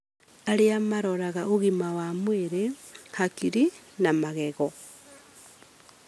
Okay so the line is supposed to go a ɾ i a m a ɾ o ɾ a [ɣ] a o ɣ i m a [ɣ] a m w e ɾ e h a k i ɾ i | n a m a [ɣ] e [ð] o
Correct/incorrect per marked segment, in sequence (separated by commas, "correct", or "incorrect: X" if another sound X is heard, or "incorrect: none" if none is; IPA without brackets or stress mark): correct, incorrect: w, correct, incorrect: ɣ